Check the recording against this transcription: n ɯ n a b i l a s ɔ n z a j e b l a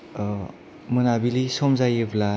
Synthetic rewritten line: m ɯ n a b i l i s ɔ m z a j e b l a